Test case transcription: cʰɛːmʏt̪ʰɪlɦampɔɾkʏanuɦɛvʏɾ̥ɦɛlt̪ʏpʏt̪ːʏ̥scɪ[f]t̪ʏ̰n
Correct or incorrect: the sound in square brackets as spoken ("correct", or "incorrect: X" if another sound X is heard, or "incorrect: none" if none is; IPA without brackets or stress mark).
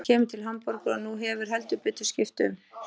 correct